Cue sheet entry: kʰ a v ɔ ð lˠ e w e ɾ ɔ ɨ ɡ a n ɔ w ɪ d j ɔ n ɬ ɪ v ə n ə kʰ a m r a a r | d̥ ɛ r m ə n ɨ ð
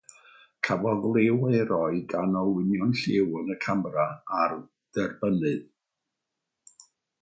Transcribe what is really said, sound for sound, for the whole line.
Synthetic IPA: kʰ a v ɔ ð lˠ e w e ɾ ɔ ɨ ɡ a n ɔ w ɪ n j ɔ n ɬ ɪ w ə n ə kʰ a m r a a r | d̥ ɛ r b ə n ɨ ð